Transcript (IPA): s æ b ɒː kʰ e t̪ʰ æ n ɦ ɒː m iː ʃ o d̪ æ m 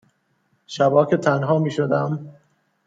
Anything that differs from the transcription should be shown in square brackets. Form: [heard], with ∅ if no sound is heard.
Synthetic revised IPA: [ʃ] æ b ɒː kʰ e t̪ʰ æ n ɦ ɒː m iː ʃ o d̪ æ m